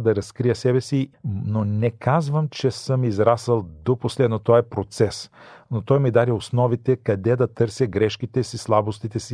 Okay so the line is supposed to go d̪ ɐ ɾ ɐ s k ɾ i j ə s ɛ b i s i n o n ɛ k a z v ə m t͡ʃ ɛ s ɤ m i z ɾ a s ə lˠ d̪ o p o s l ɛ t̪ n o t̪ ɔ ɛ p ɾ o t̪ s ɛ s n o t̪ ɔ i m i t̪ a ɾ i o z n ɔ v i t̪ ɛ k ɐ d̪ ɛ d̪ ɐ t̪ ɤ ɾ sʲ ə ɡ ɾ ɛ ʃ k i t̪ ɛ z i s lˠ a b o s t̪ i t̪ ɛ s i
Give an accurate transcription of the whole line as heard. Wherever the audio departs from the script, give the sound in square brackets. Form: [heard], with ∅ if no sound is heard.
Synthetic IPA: d̪ ɐ ɾ ɐ s k ɾ i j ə s ɛ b [ɛ] s i n o n ɛ k a z v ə m t͡ʃ ɛ s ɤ m i z ɾ a s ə lˠ d̪ o p o s l ɛ [d̪] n o t̪ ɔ ɛ p ɾ o t̪ s ɛ s n o t̪ ɔ [j] m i [d̪] a ɾ i o [s] n ɔ v i t̪ ɛ k ɐ d̪ ɛ d̪ ɐ t̪ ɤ ɾ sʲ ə ɡ ɾ ɛ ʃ k i t̪ ɛ [s] i s lˠ a b o s t̪ i t̪ ɛ s i